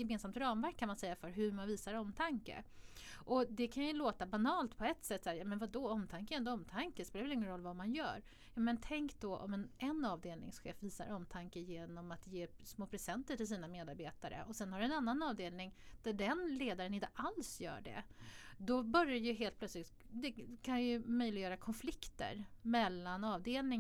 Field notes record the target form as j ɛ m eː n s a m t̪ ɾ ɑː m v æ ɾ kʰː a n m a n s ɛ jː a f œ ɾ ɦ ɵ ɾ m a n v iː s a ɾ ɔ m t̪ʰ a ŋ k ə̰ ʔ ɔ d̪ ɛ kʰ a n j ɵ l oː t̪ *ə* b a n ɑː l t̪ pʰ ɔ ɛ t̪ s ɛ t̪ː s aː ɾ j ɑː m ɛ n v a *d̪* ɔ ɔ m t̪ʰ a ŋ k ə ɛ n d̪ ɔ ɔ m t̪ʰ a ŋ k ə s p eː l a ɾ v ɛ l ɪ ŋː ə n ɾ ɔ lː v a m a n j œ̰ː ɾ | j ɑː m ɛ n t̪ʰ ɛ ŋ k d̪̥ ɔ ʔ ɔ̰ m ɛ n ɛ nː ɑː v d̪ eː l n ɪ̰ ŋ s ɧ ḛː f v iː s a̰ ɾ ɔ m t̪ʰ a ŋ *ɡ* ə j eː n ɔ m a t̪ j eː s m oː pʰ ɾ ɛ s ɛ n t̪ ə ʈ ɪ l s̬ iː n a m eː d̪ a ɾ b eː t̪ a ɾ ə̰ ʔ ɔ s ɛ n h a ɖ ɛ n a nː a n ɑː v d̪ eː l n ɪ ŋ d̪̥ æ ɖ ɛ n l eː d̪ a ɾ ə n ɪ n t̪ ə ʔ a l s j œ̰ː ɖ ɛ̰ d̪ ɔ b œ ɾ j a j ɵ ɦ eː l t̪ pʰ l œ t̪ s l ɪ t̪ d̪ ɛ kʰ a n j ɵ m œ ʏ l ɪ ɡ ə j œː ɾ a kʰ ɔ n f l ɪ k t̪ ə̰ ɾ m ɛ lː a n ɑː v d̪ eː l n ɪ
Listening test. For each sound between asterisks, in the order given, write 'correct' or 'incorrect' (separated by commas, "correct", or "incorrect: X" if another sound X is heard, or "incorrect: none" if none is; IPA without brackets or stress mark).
incorrect: a, correct, incorrect: k